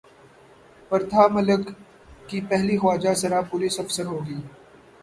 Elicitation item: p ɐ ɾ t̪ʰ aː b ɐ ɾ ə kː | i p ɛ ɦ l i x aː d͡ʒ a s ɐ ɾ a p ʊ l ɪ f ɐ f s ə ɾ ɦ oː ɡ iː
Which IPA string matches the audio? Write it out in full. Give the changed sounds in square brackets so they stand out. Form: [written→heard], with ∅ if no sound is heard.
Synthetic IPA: p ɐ ɾ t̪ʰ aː [b→m] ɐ [ɾ→l] ə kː | i p ɛ ɦ l i x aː d͡ʒ a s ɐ ɾ a p ʊ l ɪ [f→s] ɐ f s ə ɾ ɦ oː ɡ iː